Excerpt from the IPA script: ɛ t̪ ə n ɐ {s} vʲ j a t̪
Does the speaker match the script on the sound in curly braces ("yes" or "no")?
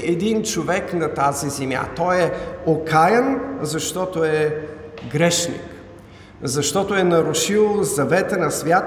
yes